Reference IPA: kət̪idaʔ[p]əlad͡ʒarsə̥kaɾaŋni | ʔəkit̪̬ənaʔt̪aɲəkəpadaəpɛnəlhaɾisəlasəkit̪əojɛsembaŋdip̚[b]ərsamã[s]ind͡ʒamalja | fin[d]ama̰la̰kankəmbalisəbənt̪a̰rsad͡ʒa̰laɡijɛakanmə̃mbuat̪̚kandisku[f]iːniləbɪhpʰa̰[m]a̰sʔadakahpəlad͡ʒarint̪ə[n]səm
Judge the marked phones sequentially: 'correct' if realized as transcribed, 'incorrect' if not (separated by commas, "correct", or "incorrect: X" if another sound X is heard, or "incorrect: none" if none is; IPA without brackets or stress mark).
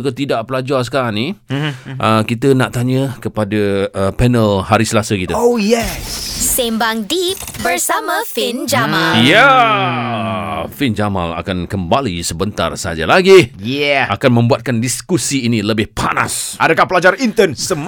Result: correct, correct, incorrect: f, incorrect: d͡ʒ, incorrect: s, incorrect: n, correct